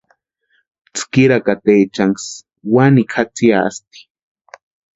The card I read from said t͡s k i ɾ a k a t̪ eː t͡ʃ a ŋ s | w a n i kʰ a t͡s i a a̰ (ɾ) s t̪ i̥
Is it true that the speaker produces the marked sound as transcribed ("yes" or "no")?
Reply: no